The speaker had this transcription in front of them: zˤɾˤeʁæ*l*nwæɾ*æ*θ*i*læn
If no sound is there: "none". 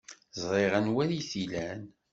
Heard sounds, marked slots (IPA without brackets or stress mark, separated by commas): none, i, i